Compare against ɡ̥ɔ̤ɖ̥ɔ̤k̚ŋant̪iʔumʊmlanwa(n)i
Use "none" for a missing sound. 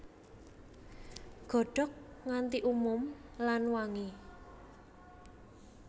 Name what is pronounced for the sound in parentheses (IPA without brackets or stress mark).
ŋ